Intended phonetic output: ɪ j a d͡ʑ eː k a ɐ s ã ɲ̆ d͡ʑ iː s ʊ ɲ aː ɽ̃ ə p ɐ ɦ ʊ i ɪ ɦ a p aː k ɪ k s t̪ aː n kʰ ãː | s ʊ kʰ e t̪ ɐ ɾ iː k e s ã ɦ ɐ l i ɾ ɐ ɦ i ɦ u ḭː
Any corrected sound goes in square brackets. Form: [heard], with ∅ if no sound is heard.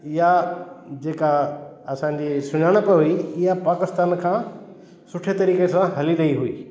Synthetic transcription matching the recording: ɪ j a d͡ʑ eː k a ɐ s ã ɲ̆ d͡ʑ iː s ʊ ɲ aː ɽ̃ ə p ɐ ɦ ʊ i ɪ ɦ a p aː k ɪ [∅] s t̪ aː n kʰ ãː | s ʊ [ʈʰ] e t̪ ɐ ɾ iː k e s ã ɦ ɐ l i ɾ ɐ ɦ i ɦ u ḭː